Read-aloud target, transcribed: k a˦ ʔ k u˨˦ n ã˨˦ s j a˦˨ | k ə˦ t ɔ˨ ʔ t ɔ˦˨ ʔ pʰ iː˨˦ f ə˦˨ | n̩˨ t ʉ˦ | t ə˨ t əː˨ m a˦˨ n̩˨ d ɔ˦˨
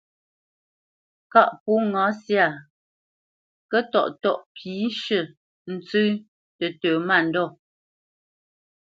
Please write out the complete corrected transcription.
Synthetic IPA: k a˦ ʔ p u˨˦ ŋ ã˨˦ s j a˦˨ | k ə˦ t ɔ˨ ʔ t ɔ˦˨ ʔ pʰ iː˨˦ ʃ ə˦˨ | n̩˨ t͡s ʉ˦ | t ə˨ t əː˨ m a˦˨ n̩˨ d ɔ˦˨